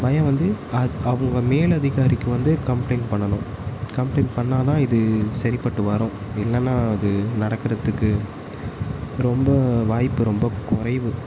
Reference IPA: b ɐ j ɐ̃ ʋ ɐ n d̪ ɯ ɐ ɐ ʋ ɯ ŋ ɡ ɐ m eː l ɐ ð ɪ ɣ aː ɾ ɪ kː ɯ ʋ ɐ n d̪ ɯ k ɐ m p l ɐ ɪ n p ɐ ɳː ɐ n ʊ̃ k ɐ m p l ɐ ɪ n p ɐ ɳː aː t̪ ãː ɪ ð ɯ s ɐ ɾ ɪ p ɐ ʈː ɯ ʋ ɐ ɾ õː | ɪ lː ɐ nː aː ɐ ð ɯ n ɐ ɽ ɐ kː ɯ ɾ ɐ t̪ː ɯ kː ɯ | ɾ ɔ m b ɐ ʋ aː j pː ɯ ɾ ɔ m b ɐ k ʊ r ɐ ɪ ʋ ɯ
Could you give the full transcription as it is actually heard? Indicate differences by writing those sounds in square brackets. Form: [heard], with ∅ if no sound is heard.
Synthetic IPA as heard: b ɐ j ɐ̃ ʋ ɐ n d̪ ɯ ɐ ɐ ʋ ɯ ŋ ɡ ɐ m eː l ɐ ð ɪ ɣ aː ɾ ɪ kː ɯ ʋ ɐ n d̪ ɯ k ɐ m p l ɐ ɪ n p ɐ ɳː ɐ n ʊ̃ k ɐ m p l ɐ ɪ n p ɐ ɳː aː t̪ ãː ɪ ð ɯ s ɐ ɾ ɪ p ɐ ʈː ɯ ʋ ɐ ɾ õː | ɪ lː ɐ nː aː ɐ ð ɯ n ɐ ɽ ɐ kː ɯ ɾ ɐ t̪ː ɯ kː ɯ | ɾ ɔ m b ɐ ʋ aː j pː ɯ ɾ ɔ m b ɐ k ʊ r ɐ ɪ ʋ ɯ